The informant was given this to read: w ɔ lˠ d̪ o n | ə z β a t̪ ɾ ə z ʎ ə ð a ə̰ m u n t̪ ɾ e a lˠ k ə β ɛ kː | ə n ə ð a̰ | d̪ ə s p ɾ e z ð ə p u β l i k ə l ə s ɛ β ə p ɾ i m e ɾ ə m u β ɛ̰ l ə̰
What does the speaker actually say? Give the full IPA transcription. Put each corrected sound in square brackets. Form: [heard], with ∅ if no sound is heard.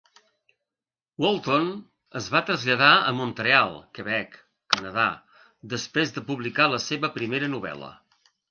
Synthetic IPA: w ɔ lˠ [t̪] o n | ə z β a t̪ ɾ ə z ʎ ə ð a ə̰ m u n t̪ ɾ e a lˠ k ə β ɛ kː | ə n ə ð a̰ | d̪ ə s p ɾ e z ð ə p u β l i k [a] l ə s [e] β ə p ɾ i m e ɾ ə [n] u β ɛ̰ l ə̰